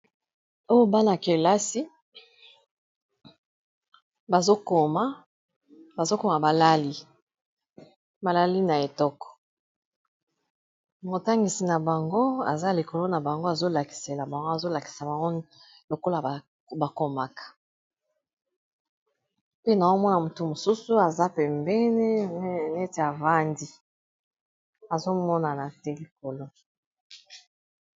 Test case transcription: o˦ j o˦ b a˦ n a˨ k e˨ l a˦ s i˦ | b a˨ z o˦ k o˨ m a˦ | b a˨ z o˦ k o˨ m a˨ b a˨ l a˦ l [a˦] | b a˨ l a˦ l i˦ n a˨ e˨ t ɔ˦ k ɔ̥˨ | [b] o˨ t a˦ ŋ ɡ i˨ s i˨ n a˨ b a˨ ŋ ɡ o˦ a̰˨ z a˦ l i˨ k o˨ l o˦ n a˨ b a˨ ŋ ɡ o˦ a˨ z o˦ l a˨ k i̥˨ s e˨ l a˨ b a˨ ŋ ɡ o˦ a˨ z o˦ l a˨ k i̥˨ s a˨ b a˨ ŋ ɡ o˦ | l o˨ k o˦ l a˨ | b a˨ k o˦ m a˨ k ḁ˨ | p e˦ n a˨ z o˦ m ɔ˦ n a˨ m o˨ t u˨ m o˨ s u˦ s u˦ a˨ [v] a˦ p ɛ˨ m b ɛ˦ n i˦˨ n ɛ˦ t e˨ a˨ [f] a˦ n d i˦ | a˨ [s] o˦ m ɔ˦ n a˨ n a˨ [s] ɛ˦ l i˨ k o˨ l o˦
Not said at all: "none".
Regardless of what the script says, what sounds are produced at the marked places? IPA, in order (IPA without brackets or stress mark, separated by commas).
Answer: i˦, m, z, v, z, t